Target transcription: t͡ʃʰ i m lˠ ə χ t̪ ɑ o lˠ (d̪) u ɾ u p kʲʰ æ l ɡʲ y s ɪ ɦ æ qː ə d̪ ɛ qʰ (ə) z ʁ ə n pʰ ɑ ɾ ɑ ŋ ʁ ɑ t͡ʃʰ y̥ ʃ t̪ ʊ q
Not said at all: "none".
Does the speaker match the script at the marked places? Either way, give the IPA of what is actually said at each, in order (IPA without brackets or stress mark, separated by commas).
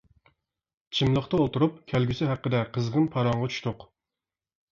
t̪, ə